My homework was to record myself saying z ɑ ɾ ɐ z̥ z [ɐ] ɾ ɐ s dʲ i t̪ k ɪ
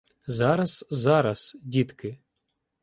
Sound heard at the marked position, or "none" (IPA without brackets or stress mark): ɑ